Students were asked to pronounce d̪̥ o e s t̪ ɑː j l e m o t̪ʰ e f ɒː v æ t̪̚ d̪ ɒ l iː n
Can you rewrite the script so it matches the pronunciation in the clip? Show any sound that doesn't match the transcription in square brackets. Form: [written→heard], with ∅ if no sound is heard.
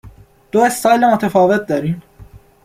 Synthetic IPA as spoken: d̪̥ o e s t̪ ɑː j l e m o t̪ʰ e f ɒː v [æ→e] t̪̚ d̪ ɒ [l→ɾ] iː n